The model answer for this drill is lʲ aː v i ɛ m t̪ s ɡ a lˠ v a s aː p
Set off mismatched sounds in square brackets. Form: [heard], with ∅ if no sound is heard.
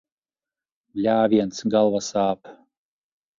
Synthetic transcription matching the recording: lʲ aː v i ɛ [n] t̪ s ɡ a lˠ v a s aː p